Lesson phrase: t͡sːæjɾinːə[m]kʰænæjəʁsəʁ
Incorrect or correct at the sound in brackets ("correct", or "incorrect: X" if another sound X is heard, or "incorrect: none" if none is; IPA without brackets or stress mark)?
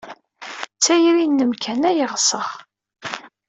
correct